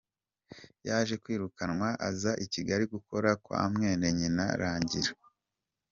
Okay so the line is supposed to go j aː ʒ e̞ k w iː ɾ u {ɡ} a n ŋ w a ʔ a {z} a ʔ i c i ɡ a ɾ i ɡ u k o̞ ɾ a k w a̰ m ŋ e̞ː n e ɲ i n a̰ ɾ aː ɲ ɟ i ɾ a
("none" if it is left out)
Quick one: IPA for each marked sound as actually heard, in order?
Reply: k, z

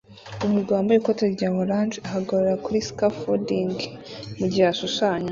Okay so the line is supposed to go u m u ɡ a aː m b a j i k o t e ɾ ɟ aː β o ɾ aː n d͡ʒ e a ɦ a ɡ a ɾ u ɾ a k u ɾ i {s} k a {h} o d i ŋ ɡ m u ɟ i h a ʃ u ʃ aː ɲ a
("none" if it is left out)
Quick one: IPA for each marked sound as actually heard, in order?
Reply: s, f

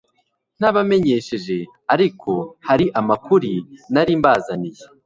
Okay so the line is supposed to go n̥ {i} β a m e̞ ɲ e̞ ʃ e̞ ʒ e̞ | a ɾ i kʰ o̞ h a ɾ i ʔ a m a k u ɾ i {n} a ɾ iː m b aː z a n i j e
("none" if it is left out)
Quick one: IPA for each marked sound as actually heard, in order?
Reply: a, n

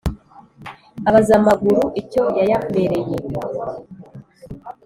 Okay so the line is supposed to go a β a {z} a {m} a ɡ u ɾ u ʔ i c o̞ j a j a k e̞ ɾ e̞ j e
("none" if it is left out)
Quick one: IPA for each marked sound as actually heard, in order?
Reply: z, m

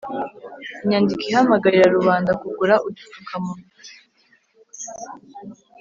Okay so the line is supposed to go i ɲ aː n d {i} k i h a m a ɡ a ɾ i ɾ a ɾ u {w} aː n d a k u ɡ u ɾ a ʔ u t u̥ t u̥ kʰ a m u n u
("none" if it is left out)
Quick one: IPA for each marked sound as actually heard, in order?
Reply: i, β

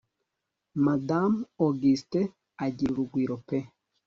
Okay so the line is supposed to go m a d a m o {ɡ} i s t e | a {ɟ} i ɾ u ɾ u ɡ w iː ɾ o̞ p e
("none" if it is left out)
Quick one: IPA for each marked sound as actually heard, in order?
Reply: ɡ, ɟ

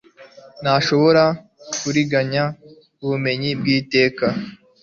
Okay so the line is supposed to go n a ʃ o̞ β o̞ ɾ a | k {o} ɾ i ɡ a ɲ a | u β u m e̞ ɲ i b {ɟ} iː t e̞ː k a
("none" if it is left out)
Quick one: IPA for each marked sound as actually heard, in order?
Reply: u, ɡ

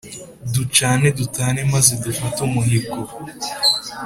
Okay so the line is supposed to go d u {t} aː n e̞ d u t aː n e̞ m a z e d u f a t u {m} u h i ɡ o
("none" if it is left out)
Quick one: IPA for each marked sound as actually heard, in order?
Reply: t͡ʃ, m

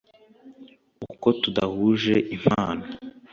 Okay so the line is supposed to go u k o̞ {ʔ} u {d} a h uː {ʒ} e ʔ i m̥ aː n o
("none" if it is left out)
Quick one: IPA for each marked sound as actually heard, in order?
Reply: t, d, ʒ

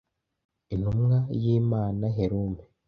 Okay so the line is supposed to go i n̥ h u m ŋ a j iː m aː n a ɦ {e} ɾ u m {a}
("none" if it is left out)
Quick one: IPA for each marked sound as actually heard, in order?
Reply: e, e

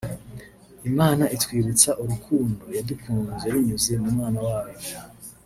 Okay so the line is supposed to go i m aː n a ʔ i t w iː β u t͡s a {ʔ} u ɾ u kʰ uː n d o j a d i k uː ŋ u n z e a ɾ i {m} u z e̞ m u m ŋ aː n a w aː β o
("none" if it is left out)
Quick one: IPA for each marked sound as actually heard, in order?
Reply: ʔ, ɲ

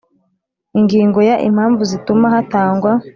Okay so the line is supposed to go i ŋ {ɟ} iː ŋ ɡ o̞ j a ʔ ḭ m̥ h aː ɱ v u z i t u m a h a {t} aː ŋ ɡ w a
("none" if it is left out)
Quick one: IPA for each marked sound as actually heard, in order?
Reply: ɡ, t

